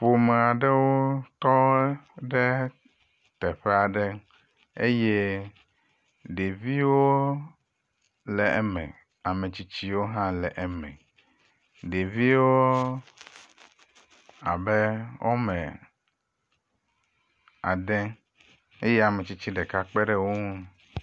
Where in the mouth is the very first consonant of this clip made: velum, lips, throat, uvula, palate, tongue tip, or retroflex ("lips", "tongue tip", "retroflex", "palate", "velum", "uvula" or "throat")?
lips